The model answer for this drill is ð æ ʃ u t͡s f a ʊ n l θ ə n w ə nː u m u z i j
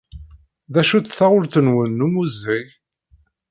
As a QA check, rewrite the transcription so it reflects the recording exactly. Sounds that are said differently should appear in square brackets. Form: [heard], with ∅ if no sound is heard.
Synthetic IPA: ð æ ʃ u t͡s [θ] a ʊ [∅] l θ ə n w ə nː u m u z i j